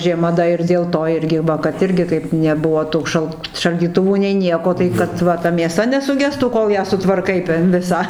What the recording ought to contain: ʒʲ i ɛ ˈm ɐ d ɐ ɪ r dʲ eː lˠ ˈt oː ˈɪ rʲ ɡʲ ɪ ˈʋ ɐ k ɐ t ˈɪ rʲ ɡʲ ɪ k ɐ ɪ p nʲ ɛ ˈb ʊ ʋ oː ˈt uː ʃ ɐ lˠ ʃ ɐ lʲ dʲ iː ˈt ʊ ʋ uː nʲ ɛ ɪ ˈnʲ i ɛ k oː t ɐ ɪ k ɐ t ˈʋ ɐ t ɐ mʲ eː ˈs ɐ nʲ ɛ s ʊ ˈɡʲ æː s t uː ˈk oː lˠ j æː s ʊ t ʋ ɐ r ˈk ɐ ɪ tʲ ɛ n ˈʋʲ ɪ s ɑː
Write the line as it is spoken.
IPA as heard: ʒʲ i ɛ ˈm ɐ d ɐ ɪ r dʲ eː lˠ ˈt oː ˈɪ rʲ ɡʲ ɪ ˈʋ ɐ k ɐ t ˈɪ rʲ ɡʲ ɪ k ɐ ɪ p nʲ ɛ ˈb ʊ ʋ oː ˈt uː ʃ ɐ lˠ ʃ ɐ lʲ dʲ iː ˈt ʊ ʋ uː nʲ ɛ ɪ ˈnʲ i ɛ k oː t ɐ ɪ k ɐ t ˈʋ ɐ t ɐ mʲ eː ˈs ɐ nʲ ɛ s ʊ ˈɡʲ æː s t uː ˈk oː lˠ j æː s ʊ t ʋ ɐ r ˈk ɐ ɪ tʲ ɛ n ˈʋʲ ɪ s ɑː